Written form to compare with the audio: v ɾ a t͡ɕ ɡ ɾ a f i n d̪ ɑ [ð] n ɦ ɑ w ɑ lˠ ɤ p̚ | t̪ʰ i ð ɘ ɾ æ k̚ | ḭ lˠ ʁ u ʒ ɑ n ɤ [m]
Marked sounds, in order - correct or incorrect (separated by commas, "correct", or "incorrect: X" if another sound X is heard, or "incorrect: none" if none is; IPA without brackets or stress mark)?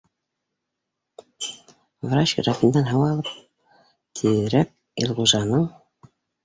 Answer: incorrect: none, incorrect: ɴ